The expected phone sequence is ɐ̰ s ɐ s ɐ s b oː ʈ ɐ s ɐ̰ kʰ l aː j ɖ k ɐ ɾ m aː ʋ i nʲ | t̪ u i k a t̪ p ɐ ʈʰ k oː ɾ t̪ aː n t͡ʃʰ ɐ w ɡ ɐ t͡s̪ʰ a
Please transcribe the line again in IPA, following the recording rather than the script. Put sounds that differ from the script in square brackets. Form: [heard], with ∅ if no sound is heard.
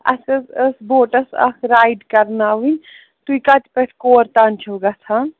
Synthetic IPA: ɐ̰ s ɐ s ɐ s b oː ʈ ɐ s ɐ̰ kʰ [ɾ] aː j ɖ k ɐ ɾ [n] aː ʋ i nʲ | t̪ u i k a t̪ p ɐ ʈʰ k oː ɾ t̪ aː n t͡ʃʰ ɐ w ɡ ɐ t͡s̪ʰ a